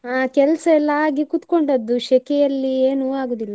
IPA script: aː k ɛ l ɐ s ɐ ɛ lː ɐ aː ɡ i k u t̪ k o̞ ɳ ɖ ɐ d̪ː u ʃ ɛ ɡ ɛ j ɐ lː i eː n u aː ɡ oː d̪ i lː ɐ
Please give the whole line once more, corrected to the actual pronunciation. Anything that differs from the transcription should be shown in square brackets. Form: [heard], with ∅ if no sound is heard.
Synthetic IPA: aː k ɛ l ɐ s ɐ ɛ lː ɐ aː ɡ i k u t̪ k o̞ ɳ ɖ ɐ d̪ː u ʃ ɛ [k] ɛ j ɐ lː i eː n u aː ɡ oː d̪ i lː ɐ